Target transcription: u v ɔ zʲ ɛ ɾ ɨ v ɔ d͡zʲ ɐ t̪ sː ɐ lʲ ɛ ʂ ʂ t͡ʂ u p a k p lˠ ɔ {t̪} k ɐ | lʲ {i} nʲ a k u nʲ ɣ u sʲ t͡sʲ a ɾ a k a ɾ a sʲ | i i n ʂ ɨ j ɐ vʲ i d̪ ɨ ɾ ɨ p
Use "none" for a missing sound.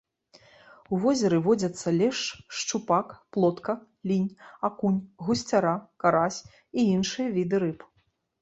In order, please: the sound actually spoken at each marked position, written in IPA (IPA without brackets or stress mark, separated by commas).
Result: t̪, i